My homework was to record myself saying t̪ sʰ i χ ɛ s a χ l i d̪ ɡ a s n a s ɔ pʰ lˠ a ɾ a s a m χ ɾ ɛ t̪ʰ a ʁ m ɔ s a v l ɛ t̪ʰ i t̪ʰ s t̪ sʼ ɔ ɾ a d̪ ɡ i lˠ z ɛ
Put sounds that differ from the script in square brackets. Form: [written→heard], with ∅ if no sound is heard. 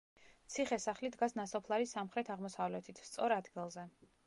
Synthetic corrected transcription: t̪ sʰ i χ ɛ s a χ l i d̪ ɡ a s n a s ɔ pʰ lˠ a ɾ [a→i] s a m χ ɾ ɛ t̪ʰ a ʁ m ɔ s a v l ɛ t̪ʰ i t̪ʰ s t̪ sʼ ɔ ɾ a d̪ ɡ i lˠ z ɛ